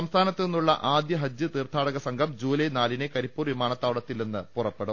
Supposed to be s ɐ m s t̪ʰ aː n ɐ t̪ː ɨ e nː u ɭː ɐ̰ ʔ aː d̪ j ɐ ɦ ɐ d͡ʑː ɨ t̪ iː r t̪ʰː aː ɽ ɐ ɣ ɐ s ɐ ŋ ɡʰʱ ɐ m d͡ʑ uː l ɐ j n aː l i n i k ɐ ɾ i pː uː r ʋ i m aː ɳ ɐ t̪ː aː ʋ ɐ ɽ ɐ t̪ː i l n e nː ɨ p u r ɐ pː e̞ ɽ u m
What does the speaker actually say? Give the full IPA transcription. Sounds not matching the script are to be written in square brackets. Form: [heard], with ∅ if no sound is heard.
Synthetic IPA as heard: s ɐ m s t̪ʰ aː n ɐ t̪ː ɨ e nː u ɭː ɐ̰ ʔ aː d̪ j ɐ ɦ ɐ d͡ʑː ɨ t̪ iː r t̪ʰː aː ɽ ɐ ɣ ɐ s ɐ ŋ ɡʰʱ ɐ m d͡ʑ uː l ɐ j n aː l i n [e] k ɐ ɾ i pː uː r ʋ i m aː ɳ ɐ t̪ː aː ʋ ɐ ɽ ɐ t̪ː i l n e nː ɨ p u r ɐ pː e̞ ɽ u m